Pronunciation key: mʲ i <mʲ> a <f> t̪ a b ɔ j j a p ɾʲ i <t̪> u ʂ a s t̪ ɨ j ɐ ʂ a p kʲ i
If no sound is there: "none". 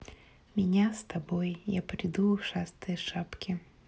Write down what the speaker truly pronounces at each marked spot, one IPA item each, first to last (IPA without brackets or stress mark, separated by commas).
nʲ, s, d̪